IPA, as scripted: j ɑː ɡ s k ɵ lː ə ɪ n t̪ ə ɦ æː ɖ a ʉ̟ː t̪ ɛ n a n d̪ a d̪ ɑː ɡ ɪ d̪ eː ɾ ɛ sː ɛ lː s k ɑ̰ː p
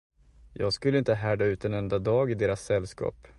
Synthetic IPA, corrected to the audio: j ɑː ɡ s k ɵ lː ə ɪ n t̪ ə ɦ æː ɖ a ʉ̟ː t̪ ɛ n ɛ n d̪ a d̪ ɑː ɡ ɪ d̪ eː ɾ a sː ɛ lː s k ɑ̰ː p